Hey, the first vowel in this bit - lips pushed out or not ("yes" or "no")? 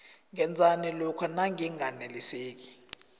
no